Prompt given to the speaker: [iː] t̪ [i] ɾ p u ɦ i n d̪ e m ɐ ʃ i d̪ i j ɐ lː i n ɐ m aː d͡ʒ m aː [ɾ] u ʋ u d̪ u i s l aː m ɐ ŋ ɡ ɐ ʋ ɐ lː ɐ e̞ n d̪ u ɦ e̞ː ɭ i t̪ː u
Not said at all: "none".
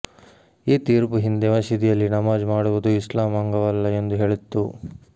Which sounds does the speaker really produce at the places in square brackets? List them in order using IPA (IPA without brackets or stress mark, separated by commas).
iː, iː, ɽ